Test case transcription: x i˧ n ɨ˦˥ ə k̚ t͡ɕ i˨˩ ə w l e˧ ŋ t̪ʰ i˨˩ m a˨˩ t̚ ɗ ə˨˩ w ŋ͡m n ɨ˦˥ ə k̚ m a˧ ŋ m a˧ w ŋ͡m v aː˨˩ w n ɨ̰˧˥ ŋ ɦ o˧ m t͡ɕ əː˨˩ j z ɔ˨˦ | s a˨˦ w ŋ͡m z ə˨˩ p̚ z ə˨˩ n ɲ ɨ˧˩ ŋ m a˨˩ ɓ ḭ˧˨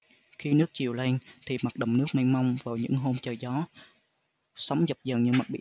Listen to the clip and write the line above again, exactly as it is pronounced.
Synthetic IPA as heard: x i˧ n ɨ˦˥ ə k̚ t͡ɕ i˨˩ ə w l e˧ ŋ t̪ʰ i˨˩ m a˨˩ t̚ ɗ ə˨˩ w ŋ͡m n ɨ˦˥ ə k̚ m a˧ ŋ m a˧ w ŋ͡m v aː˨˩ w ɲ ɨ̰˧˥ ŋ ɦ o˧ m t͡ɕ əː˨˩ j z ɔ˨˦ | s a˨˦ w ŋ͡m z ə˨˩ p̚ z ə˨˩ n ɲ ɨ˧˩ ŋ m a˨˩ ɓ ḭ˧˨